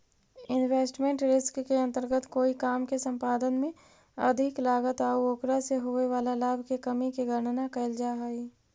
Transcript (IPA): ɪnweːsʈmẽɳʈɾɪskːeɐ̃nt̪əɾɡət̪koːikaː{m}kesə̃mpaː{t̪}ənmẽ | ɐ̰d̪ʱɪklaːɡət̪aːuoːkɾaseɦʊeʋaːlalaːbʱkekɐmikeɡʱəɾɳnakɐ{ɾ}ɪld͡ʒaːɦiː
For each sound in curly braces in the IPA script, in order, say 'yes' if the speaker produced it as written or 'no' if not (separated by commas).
yes, no, no